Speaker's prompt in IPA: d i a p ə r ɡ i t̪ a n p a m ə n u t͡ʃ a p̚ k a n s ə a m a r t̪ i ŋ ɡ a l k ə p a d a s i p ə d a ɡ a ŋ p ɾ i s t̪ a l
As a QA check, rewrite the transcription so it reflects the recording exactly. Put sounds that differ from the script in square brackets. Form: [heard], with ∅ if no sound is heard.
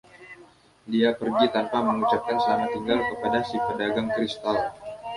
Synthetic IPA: d i a p ə r ɡ i t̪ a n p a m ə [ŋ] u t͡ʃ a p̚ k a n s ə a m a [∅] t̪ i ŋ ɡ a l k ə p a d a s i p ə d a ɡ a ŋ [k] ɾ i s t̪ a l

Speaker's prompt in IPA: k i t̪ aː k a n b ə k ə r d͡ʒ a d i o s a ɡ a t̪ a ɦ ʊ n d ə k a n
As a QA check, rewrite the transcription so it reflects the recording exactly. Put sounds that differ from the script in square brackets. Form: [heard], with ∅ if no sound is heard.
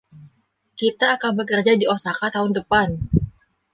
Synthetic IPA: k i t̪ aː k a n b ə k ə r d͡ʒ a d i o s a [k] a t̪ a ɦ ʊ n d ə [p] a n

